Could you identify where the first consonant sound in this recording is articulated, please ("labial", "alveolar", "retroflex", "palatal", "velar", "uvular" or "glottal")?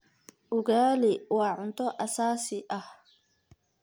glottal